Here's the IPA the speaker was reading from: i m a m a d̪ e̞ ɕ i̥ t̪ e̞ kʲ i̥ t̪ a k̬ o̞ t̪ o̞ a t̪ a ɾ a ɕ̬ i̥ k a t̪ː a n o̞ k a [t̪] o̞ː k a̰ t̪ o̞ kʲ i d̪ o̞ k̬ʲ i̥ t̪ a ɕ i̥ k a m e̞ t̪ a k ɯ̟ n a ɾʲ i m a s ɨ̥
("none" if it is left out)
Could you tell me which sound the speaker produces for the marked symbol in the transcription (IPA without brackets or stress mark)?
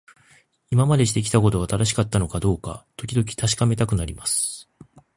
d̪